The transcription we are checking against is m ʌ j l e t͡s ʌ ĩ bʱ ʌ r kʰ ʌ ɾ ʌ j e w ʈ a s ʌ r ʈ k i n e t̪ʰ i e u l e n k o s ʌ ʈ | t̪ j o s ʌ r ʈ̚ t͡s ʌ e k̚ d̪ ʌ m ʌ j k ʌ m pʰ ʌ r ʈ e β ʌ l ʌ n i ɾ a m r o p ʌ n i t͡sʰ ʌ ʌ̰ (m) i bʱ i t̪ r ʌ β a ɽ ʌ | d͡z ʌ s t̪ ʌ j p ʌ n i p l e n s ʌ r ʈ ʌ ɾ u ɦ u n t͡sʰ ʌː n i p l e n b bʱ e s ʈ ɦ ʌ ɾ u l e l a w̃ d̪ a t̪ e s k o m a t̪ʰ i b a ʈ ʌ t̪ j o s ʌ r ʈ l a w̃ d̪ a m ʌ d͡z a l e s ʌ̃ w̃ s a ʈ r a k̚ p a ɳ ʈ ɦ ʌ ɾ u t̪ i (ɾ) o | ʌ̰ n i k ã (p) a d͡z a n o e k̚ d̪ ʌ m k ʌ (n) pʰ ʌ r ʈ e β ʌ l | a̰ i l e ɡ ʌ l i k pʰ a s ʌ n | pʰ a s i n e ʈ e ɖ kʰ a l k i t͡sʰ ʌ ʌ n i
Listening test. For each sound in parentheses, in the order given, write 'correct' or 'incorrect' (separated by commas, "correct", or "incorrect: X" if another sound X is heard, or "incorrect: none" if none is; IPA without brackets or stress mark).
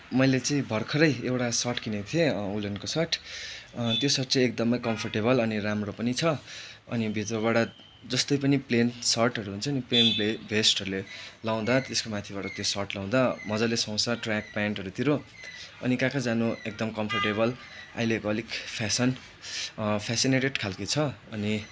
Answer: incorrect: n, correct, incorrect: k, incorrect: m